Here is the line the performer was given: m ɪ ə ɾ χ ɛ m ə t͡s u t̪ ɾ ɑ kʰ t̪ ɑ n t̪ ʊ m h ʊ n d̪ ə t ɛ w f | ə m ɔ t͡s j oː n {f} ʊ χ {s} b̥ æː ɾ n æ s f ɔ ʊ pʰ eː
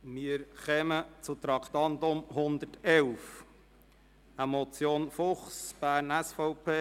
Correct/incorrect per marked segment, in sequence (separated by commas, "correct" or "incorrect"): correct, correct